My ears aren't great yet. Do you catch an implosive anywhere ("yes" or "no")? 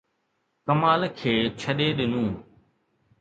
yes